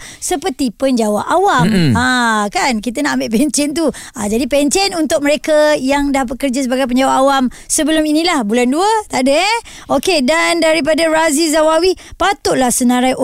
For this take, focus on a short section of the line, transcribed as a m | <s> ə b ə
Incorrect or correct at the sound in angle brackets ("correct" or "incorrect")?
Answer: correct